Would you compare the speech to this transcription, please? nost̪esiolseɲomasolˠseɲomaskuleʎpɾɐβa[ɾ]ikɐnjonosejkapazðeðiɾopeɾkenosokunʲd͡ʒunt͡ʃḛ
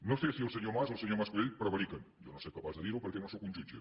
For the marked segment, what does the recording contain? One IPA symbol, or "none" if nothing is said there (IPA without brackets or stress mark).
ɾ